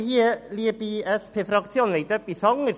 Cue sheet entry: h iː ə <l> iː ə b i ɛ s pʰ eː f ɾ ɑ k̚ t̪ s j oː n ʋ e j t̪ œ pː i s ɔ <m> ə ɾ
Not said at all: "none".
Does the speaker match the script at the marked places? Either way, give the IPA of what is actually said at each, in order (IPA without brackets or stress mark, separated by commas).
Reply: l, ŋ